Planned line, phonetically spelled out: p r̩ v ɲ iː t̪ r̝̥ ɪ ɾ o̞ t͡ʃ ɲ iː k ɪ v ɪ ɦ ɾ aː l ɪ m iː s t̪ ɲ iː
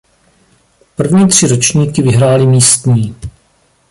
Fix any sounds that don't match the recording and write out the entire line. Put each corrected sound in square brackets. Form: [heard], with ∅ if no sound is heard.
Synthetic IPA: p r̩ v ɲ iː t̪ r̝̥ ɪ ɾ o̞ t͡ʃ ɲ iː k ɪ v ɪ ɦ ɾ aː l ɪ m iː s t̪ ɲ iː